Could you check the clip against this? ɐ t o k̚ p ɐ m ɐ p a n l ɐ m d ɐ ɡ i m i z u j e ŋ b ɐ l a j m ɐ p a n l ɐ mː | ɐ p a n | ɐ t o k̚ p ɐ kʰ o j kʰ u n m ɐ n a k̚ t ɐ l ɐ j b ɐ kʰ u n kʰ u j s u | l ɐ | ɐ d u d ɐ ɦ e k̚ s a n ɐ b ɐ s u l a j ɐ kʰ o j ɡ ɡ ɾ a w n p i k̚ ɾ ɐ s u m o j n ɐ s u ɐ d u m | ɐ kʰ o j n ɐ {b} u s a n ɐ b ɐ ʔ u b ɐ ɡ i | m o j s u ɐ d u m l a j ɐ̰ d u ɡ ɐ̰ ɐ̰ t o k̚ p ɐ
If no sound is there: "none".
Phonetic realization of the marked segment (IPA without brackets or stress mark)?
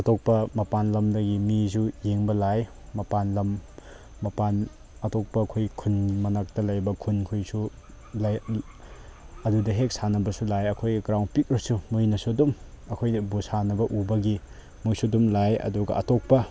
b